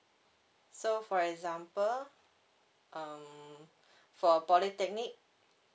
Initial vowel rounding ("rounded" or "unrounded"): rounded